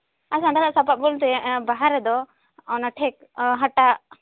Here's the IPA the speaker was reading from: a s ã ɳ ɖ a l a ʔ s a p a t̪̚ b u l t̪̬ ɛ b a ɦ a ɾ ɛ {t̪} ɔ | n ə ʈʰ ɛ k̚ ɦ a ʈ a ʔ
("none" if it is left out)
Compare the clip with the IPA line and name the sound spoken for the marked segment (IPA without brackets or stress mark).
d̪